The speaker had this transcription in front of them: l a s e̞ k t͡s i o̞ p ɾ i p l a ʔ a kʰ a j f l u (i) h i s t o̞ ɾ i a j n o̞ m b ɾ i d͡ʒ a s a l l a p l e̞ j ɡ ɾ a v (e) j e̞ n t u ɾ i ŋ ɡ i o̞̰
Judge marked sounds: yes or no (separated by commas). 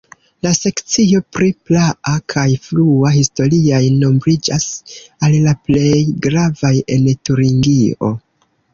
no, no